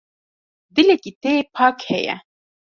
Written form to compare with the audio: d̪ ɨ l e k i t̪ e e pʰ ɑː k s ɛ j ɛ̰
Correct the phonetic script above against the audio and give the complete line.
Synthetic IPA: d̪ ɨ l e k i t̪ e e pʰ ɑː k h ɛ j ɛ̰